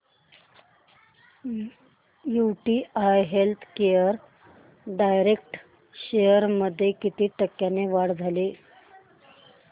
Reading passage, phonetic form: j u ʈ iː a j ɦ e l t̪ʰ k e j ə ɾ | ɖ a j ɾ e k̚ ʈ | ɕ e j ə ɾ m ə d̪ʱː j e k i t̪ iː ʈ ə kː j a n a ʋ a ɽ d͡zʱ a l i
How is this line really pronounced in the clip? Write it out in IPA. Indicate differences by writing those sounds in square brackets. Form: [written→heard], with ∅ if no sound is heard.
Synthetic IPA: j u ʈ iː a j ɦ e l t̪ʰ k e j ə ɾ | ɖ a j ɾ e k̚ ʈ | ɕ e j ə ɾ m ə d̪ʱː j e k i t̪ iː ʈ ə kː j a n [a→e] ʋ a ɽ d͡zʱ a l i